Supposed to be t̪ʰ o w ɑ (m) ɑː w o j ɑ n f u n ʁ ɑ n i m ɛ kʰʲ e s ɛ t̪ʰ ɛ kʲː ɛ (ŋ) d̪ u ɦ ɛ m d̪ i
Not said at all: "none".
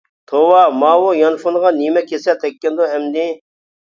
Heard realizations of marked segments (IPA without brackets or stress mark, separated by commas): m, n